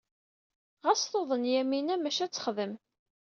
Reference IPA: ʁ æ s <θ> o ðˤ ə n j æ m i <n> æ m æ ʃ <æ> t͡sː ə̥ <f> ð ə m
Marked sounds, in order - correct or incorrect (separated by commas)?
correct, correct, correct, incorrect